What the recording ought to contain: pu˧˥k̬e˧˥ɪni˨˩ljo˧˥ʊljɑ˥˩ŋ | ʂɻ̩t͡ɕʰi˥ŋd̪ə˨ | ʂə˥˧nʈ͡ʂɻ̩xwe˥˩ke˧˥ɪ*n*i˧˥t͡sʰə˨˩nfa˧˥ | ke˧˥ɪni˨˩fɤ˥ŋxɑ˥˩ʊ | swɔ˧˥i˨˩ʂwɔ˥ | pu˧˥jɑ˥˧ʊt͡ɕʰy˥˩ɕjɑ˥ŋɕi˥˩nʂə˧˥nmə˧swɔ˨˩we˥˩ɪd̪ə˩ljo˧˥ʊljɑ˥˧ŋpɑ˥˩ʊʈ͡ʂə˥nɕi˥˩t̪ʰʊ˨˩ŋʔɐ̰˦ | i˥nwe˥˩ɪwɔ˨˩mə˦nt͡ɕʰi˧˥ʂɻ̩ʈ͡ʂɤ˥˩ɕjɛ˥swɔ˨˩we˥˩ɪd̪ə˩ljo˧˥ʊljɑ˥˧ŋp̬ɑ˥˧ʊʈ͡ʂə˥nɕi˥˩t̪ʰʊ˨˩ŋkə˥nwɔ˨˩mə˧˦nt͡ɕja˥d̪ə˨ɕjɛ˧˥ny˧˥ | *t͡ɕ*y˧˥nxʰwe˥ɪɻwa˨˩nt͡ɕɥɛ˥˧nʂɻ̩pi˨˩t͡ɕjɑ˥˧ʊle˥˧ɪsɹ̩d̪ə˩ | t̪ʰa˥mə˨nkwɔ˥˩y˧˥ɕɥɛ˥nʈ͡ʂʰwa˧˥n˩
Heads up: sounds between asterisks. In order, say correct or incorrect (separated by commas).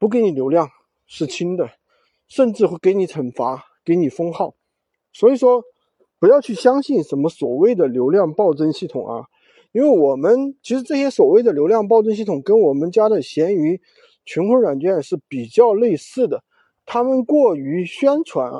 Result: correct, incorrect